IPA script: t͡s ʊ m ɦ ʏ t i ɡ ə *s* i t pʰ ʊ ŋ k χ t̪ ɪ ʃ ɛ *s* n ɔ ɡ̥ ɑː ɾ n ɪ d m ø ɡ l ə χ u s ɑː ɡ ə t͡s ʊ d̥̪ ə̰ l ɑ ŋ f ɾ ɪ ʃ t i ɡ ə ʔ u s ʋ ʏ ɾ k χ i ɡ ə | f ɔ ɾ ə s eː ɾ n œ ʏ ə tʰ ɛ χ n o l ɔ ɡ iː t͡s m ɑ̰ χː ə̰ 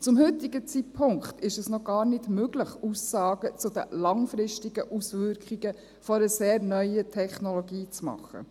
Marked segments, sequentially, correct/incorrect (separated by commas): incorrect, correct